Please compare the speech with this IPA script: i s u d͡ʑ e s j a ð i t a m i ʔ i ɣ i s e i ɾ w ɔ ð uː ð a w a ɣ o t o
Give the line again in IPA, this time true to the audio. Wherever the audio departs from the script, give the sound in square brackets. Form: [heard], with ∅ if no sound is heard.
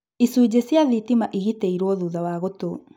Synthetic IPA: i s u d͡ʑ e s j a ð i t [i] m [a] ʔ i ɣ i [t] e i ɾ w ɔ ð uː ð a w a ɣ o t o